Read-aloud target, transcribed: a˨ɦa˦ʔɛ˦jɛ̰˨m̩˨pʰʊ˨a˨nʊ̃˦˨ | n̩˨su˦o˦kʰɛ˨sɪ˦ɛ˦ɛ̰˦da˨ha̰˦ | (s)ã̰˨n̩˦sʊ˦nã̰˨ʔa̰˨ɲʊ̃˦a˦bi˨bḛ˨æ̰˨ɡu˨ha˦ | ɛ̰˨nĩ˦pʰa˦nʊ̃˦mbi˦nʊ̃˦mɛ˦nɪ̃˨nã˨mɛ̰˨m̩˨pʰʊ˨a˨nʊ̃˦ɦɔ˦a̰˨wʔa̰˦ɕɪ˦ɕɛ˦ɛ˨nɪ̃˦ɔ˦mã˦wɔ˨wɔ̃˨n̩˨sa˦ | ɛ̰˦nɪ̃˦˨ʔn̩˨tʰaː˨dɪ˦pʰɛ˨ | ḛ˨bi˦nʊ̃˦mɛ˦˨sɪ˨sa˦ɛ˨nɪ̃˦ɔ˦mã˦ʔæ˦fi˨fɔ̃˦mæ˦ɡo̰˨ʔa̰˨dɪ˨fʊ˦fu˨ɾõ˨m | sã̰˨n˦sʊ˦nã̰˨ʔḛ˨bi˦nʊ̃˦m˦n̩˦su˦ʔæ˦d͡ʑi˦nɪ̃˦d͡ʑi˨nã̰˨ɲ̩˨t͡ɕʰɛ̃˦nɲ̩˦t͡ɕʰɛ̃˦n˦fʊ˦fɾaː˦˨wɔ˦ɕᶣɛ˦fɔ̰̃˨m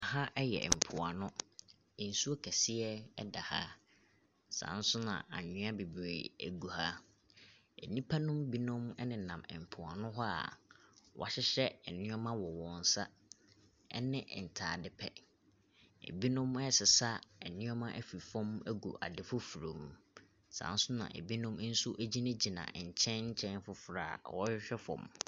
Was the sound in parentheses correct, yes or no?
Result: yes